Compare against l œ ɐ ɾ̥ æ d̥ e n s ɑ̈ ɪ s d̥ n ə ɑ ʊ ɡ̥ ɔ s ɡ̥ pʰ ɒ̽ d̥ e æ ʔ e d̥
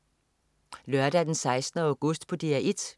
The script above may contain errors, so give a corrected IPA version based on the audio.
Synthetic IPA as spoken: l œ ɐ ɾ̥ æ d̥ e n s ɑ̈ ɪ s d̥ n ə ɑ ʊ ɡ̥ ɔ s d̥ pʰ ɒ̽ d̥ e æ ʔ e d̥